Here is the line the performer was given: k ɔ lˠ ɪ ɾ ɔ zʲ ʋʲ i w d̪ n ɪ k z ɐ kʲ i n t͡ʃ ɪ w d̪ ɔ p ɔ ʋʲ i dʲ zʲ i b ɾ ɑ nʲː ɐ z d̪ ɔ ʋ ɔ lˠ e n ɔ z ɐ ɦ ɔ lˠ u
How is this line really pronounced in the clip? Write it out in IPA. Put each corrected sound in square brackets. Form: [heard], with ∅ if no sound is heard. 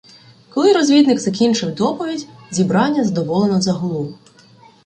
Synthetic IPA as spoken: k ɔ lˠ ɪ ɾ ɔ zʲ ʋʲ i [∅] d̪ n ɪ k z ɐ kʲ i n t͡ʃ ɪ w d̪ ɔ p ɔ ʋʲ i dʲ zʲ i b ɾ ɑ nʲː ɐ z d̪ ɔ ʋ ɔ lˠ e n ɔ z ɐ ɦ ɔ lˠ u